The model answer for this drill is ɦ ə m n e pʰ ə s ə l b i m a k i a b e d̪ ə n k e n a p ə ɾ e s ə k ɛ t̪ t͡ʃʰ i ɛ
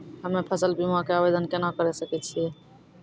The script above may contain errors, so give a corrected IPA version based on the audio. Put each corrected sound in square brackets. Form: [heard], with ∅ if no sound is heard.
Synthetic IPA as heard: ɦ ə m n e pʰ ə s ə l b i m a k [e] a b e d̪ ə n k e n a [k] ə ɾ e s ə k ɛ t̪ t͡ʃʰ i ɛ